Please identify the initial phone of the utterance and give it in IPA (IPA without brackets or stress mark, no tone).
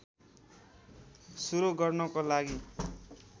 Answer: s